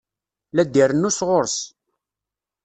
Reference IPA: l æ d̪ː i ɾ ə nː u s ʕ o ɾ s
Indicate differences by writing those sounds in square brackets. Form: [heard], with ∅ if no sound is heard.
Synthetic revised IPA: l æ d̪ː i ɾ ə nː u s [ʁ] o ɾ s